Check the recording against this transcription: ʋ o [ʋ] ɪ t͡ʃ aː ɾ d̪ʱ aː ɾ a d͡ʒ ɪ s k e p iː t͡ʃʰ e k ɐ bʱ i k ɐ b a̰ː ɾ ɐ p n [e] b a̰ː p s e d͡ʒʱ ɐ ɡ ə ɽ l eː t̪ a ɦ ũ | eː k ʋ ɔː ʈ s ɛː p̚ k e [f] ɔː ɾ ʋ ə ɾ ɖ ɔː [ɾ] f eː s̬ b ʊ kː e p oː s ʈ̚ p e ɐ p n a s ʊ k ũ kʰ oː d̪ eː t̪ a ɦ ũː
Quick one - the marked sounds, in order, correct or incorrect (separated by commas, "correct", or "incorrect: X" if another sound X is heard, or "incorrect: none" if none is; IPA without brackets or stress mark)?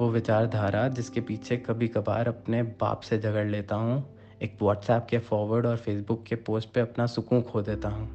correct, correct, correct, correct